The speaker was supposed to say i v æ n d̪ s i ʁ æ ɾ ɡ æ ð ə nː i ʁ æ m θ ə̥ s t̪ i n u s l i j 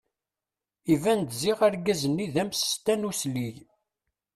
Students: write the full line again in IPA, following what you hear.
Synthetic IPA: i v æ n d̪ z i ʁ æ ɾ ɡ æ z ə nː i ð æ m s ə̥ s t̪ æ n u s l i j

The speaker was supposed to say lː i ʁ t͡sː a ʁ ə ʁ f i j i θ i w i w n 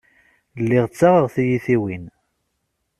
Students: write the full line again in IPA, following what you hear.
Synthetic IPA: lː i ʁ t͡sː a ʁ ə ʁ θ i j i θ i w i n

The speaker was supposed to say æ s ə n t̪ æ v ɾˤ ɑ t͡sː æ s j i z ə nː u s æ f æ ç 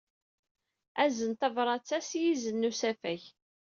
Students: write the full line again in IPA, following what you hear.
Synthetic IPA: æ z ə n t̪ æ v ɾˤ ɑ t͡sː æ s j i z ə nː u s æ f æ ç

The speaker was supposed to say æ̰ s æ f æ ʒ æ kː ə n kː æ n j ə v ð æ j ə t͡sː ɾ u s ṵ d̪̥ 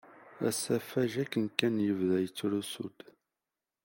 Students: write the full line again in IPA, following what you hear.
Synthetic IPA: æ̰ s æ f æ ʒ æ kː ə n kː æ n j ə v ð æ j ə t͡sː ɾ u s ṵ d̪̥

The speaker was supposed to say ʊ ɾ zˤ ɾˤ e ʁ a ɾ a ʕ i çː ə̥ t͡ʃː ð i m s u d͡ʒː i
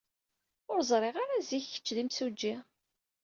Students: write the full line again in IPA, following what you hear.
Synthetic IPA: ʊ ɾ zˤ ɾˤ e ʁ a ɾ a z i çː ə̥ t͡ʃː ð i m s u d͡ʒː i

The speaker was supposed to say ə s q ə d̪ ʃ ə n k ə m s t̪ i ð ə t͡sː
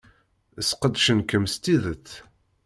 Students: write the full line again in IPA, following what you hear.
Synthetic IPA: ə s q ə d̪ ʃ ə n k ə m s t̪ i ð ə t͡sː

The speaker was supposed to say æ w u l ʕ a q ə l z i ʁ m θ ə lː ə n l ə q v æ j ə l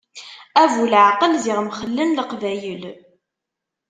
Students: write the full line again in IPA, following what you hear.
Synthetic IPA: æ v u l ʕ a q ə l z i ʁ m χ ə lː ə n l ə q v æ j ə l

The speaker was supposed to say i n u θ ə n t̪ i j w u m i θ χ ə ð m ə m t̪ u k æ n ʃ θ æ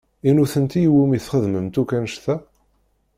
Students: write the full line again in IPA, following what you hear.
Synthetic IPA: i n u θ ə n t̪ i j w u m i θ χ ə ð m ə m t̪ u k æ n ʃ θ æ

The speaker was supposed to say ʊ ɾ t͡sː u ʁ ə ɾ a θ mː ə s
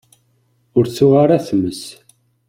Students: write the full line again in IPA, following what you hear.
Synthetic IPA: ʊ ɾ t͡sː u ʁ a ɾ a θ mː ə s

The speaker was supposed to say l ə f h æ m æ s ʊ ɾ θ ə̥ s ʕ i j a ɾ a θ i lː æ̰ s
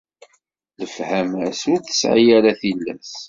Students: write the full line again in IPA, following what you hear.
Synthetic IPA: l ə f h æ m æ s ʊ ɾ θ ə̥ s ʕ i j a ɾ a θ i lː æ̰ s

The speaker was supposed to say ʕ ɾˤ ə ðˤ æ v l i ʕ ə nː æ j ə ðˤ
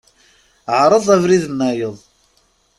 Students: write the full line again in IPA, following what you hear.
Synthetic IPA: ʕ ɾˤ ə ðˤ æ v ɾ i ð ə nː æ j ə ðˤ

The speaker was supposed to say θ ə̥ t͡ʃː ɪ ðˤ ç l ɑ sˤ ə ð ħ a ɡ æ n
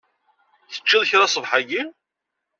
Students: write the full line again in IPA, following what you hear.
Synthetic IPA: θ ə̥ t͡ʃː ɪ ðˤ ç ɾ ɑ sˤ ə v ħ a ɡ i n

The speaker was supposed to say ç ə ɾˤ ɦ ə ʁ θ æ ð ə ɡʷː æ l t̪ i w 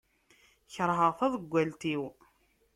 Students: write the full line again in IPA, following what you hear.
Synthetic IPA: ç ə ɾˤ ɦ ə ʁ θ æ ð ə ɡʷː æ l t̪ i w

